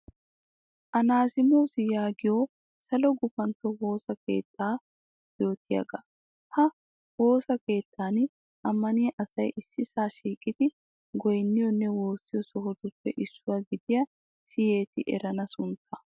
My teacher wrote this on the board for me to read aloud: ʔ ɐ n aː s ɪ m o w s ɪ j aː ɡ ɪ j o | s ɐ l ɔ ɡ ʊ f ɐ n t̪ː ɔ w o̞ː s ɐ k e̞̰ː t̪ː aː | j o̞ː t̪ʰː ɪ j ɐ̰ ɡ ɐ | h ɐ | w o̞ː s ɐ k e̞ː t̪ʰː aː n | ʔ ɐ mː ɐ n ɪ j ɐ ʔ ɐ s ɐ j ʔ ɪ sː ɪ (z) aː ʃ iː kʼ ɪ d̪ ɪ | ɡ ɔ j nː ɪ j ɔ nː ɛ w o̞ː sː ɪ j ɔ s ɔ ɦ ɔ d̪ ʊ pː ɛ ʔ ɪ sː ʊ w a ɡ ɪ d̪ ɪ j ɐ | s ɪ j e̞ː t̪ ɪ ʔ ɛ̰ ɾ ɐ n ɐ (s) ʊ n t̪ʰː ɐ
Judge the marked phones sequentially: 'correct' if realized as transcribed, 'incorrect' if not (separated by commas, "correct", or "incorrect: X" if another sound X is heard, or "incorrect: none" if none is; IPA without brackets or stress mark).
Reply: incorrect: s, correct